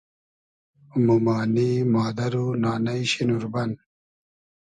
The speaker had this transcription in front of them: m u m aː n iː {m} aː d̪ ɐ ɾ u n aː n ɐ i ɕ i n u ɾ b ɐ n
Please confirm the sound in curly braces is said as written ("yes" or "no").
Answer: yes